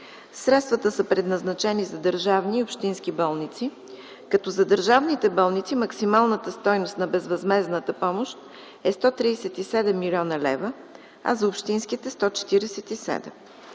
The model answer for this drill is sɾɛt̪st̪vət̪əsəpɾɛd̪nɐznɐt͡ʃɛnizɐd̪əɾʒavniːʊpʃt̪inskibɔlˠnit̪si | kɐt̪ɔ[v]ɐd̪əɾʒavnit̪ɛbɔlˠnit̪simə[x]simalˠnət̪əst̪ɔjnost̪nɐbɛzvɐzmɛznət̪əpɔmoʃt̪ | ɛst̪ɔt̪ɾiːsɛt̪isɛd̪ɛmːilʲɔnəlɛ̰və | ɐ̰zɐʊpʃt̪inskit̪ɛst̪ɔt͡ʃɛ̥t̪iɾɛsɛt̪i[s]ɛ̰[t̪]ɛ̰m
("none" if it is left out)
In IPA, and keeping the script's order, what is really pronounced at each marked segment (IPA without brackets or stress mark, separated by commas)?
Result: z, k, s, d̪